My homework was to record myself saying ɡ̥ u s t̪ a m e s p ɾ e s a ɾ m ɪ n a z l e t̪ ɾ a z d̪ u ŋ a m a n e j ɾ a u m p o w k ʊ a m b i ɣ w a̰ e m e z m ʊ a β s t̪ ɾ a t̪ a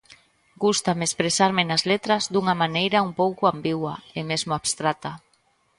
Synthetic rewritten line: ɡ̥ u s t̪ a m e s p ɾ e s a ɾ m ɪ n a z l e t̪ ɾ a z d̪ u ŋ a m a n e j ɾ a u m p o w k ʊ a m b i ɣ w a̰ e m e z m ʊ a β s t̪ ɾ a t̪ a